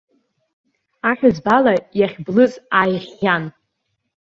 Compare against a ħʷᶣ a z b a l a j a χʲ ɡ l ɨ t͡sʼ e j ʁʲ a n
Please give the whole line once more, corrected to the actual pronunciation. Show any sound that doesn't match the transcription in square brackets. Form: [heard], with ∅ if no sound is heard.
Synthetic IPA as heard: a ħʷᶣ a z b a l a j a χʲ [b] l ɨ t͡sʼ [a] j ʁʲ a n